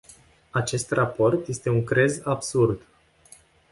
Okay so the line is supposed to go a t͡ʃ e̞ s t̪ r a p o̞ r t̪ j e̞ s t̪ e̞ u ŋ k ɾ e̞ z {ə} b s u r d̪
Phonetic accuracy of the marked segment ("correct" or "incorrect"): incorrect